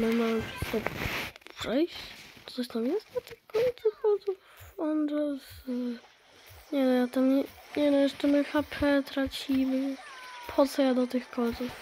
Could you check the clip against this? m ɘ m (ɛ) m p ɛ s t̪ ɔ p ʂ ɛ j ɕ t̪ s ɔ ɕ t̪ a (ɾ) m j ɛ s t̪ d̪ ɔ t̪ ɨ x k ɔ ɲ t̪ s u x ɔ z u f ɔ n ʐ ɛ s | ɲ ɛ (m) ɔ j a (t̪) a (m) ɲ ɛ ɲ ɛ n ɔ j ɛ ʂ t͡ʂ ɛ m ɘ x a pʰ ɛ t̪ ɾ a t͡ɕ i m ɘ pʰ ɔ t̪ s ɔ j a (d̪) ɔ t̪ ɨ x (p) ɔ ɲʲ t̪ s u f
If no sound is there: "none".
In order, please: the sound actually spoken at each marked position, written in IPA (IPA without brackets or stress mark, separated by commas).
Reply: a, none, n, t̪, m, d̪, k